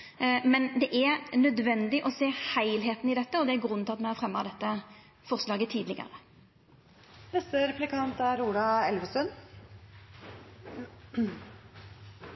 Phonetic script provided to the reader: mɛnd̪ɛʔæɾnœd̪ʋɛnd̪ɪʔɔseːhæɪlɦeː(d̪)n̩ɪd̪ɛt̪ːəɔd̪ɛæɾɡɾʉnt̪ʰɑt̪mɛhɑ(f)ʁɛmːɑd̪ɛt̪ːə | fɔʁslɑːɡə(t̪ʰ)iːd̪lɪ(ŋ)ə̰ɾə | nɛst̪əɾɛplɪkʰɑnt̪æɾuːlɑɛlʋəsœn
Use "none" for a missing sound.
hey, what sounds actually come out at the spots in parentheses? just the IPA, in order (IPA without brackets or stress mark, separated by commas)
t̪, f, t̪ʰ, ɡ